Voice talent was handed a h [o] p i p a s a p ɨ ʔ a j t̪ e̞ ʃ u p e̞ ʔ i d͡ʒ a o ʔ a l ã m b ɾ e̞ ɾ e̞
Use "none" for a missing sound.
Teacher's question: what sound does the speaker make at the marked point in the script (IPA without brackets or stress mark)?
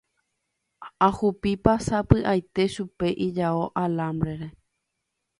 u